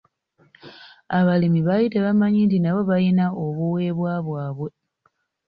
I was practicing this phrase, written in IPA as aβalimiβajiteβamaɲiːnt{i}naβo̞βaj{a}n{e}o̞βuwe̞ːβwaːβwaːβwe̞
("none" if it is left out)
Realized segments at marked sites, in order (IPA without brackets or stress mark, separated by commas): i, i, a